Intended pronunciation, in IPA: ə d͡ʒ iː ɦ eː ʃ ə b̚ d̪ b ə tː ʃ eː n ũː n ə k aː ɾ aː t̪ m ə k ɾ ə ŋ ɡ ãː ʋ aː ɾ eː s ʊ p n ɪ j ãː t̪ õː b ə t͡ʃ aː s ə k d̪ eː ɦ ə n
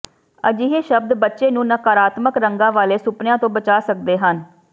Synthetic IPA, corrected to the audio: ə d͡ʒ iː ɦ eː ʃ ə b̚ d̪ b ə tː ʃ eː n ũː n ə k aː ɾ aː t̪ m ə k ɾ ə ŋ ɡ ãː ʋ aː l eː s ʊ p n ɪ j ãː t̪ õː b ə t͡ʃ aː s ə k d̪ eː ɦ ə n